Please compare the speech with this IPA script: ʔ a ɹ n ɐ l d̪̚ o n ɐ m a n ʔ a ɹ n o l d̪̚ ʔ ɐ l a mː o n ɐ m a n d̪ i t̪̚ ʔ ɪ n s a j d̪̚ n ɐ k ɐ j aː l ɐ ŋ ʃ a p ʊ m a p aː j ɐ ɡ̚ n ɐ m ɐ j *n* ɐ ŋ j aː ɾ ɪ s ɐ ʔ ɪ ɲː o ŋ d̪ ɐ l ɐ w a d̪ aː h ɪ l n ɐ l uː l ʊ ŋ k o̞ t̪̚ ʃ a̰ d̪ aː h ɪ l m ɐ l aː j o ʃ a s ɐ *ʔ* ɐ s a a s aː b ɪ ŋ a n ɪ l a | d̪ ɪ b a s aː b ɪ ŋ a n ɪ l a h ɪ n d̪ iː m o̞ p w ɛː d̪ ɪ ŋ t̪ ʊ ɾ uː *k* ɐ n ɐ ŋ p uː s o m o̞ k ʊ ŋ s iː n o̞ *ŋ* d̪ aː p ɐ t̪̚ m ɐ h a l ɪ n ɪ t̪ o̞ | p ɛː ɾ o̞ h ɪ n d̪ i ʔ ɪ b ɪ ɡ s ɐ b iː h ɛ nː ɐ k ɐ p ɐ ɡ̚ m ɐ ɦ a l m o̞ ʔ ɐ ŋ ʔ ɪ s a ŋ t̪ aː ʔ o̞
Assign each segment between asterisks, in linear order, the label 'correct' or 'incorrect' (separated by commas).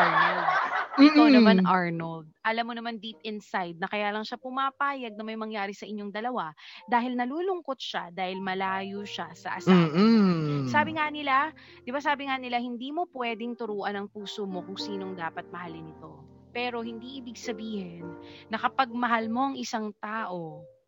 incorrect, correct, incorrect, correct